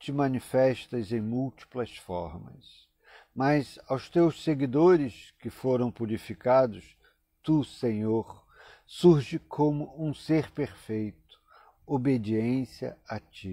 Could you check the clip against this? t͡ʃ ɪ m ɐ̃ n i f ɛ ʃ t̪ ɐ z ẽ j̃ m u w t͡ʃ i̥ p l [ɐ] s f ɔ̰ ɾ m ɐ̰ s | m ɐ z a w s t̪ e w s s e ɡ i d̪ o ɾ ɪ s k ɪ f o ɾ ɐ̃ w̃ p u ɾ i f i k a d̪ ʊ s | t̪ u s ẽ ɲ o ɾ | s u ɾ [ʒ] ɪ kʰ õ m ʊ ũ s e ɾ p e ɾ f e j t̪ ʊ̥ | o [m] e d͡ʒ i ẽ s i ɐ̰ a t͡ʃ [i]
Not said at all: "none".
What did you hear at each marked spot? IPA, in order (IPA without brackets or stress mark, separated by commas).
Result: ɐ, ʒ, b, i